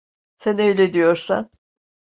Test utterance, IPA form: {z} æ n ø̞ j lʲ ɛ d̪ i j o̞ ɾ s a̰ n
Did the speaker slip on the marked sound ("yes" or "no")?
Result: yes